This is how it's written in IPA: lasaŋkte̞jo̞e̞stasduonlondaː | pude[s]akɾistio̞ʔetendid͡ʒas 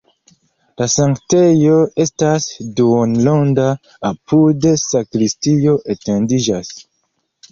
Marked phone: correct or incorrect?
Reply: correct